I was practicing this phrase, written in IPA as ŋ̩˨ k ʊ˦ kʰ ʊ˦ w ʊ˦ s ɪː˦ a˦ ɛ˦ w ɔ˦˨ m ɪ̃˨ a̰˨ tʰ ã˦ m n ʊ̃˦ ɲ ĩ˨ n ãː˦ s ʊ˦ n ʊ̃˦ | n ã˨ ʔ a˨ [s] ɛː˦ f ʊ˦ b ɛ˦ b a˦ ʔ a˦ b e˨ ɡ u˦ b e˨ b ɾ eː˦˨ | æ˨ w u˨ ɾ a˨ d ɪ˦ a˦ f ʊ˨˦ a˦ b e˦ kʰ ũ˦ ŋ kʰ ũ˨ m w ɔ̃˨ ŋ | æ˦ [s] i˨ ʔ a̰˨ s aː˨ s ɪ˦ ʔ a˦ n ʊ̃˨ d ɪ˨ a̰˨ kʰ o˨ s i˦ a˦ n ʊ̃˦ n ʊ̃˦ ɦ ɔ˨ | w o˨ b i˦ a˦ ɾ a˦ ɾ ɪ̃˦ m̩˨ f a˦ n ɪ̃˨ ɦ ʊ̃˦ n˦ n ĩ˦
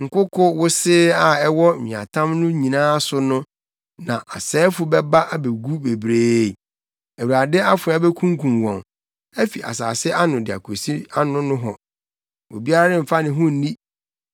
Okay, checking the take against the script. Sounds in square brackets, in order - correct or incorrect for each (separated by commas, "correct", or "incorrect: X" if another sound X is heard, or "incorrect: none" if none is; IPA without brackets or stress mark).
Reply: correct, incorrect: f